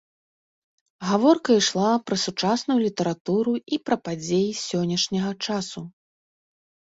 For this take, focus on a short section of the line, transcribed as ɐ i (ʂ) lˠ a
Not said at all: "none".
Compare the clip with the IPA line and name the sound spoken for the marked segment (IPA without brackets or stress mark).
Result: ʂ